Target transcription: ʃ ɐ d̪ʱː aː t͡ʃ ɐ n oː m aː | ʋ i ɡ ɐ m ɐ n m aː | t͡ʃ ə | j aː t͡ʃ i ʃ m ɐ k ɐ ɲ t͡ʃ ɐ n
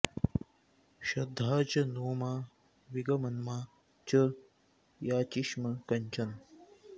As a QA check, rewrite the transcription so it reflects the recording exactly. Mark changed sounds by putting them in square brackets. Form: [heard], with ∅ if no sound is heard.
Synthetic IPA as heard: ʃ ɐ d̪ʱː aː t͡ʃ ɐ n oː m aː | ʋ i ɡ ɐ m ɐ n m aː | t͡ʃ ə | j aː t͡ʃ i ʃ m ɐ k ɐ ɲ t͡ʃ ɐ n